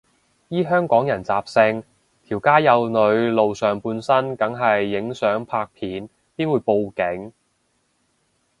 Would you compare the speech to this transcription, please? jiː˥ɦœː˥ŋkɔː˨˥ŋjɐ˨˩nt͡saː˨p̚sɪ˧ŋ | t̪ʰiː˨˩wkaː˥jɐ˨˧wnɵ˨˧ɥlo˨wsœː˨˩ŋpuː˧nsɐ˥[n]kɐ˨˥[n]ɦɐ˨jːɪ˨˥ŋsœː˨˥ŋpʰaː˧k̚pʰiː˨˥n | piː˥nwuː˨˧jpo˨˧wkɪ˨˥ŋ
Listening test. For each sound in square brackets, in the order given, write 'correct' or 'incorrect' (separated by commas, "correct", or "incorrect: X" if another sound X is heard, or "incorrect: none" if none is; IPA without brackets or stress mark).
correct, incorrect: ŋ